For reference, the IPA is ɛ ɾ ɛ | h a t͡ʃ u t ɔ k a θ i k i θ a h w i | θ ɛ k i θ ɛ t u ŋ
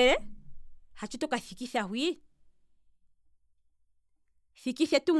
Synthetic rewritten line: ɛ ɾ ɛ | h a t͡ʃ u t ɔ k a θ i k i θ a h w i | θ i k i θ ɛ t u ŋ